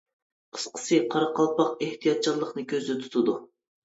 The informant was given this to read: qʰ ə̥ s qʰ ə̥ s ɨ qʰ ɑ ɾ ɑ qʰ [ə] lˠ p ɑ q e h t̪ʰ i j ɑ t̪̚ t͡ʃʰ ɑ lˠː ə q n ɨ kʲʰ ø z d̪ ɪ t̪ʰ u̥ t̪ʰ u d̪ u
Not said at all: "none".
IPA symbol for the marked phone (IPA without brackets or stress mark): ɑ